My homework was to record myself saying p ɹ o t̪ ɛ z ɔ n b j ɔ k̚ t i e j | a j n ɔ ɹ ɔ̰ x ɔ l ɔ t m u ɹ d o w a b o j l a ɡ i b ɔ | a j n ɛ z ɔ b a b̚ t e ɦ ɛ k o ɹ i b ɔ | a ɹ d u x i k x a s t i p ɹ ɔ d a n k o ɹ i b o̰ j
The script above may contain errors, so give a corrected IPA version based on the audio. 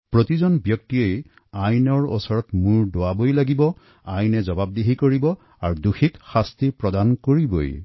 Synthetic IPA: p ɹ o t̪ i z ɔ n b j ɔ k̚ t i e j | a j n ɔ ɹ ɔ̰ s ɔ ɹ ɔ t m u ɹ d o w a b o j l a ɡ i b ɔ | a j n ɛ z ɔ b a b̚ d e ɦ i k o ɹ i b ɔ | a ɹ d u x i k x a s t i p ɹ ɔ d a n k o ɹ i b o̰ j